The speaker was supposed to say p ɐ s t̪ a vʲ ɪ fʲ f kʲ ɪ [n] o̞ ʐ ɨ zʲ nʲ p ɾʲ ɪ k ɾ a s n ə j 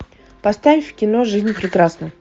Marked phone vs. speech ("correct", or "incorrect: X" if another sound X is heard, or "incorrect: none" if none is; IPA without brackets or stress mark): correct